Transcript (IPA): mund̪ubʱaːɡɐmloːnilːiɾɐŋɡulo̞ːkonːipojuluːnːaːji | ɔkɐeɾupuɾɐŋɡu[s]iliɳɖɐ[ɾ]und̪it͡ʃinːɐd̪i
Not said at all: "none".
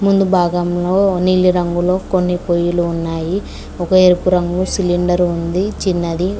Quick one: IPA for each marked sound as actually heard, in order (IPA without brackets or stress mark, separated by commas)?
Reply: s, ɾ